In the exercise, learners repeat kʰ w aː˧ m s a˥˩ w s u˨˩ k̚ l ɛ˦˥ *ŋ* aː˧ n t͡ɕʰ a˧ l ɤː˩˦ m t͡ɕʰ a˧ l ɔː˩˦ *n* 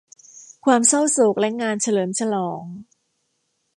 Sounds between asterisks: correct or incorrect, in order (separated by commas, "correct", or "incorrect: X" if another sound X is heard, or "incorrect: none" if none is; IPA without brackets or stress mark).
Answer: correct, incorrect: ŋ